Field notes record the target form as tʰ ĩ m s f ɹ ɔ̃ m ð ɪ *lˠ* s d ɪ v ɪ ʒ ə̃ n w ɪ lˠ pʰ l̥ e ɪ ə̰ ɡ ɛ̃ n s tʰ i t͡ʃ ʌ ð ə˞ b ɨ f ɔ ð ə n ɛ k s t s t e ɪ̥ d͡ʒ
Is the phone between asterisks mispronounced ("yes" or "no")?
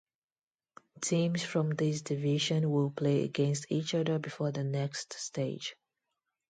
yes